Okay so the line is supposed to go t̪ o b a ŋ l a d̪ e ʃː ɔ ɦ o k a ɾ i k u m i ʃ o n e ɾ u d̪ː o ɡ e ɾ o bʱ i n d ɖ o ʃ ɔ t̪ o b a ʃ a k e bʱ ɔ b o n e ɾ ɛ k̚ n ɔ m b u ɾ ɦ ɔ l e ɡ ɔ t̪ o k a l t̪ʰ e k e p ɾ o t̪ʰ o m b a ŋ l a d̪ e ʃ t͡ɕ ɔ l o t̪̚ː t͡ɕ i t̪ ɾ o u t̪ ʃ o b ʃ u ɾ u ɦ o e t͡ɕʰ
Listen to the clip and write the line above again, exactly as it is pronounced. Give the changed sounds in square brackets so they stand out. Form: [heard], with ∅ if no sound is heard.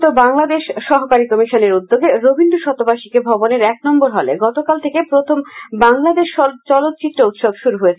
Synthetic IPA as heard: t̪ o b a ŋ l a d̪ e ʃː ɔ ɦ o k a ɾ i k [ɔ] m i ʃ o n e ɾ u d̪ː o ɡ e ɾ o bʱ i n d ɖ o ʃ ɔ t̪ o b a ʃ [i] k e bʱ ɔ b o n e ɾ ɛ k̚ n ɔ m b [o] ɾ ɦ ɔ l e ɡ ɔ t̪ o k a l t̪ʰ e k e p ɾ o t̪ʰ o m b a ŋ l a d̪ e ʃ t͡ɕ ɔ l o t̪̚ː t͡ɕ i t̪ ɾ o u t̪ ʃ o b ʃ u ɾ u ɦ o e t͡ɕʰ

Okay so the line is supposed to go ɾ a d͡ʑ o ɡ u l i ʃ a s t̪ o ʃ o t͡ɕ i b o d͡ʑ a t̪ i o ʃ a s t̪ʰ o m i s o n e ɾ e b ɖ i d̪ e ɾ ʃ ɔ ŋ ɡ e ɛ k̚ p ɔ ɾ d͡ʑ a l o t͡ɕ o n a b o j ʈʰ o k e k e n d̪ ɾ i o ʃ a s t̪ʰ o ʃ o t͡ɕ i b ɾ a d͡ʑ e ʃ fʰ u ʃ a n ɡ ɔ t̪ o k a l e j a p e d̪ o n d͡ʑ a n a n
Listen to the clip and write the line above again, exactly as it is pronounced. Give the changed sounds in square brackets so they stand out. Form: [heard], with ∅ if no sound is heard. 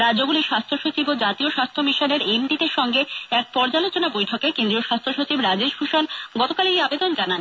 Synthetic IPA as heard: ɾ a d͡ʑ o ɡ u l i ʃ a s [t̪ʰ] o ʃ o t͡ɕ i b o d͡ʑ a t̪ i o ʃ a s t̪ʰ o m i [ʃ] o n e ɾ e [m] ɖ i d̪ e ɾ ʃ ɔ ŋ ɡ e ɛ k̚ p ɔ ɾ d͡ʑ a l o t͡ɕ o n a b o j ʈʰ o k e k e n d̪ ɾ i o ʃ a s t̪ʰ o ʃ o t͡ɕ i b ɾ a d͡ʑ e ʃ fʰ u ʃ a n ɡ ɔ t̪ o k a l e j a [b] e d̪ o n d͡ʑ a n a n

